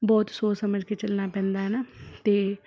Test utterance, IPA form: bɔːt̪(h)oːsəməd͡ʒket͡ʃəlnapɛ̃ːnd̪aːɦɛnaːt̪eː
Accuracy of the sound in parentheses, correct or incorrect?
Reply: incorrect